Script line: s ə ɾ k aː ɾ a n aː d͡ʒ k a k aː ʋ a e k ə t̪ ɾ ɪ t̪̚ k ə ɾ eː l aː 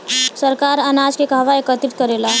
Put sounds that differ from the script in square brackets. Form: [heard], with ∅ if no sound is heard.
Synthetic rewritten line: s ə ɾ k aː ɾ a n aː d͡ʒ k [e] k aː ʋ a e k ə t̪ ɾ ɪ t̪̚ k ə ɾ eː l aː